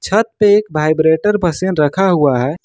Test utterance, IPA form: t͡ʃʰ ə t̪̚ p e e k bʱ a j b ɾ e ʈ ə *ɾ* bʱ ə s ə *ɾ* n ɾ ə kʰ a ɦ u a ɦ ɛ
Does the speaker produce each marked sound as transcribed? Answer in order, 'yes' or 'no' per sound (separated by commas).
yes, no